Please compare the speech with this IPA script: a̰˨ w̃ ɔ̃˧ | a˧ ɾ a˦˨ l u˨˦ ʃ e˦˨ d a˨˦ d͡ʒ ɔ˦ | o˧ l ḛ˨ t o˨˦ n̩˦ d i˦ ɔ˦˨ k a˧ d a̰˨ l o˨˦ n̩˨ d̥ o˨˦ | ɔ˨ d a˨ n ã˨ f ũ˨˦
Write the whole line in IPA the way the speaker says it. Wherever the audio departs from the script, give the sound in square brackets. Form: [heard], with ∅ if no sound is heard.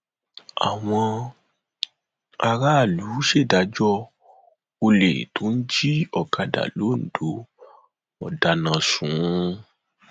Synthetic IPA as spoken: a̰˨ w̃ ɔ̃˧ | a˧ ɾ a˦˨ l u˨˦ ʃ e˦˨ d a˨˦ d͡ʒ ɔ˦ | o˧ l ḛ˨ t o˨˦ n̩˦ [d͡ʒ] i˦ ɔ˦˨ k a˧ d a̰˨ l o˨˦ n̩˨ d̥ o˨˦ | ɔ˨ d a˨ n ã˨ [s] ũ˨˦